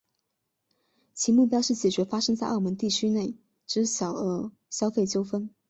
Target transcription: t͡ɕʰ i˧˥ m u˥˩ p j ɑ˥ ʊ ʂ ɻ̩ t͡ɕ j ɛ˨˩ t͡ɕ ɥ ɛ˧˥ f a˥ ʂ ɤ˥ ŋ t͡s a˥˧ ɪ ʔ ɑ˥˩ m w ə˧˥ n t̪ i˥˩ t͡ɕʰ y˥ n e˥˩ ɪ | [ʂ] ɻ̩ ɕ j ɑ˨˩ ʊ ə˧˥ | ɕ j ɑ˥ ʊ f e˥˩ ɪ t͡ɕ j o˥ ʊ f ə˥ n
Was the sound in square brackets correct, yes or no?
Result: no